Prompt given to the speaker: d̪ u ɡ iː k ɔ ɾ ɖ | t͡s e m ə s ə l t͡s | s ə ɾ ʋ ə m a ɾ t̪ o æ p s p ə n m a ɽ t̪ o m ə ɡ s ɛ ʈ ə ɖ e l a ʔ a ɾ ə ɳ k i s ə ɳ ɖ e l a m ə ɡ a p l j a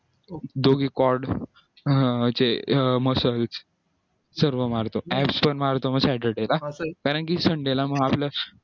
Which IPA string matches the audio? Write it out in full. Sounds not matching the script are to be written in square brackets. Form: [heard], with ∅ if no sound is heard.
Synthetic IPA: d̪ [o] ɡ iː k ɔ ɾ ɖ | t͡s e m ə s ə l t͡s | s ə ɾ ʋ ə m a ɾ t̪ o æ p s p ə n m a [ɾ] t̪ o m ə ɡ s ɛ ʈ ə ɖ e l a [k] a ɾ ə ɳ k i s ə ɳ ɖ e l a m ə ɡ a p l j a